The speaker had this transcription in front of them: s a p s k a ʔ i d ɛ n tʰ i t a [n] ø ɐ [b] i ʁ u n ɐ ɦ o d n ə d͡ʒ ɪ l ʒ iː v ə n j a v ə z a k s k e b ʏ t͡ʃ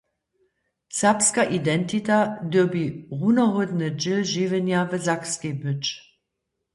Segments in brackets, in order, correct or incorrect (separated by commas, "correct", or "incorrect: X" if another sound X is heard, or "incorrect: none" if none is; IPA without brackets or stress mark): incorrect: d, correct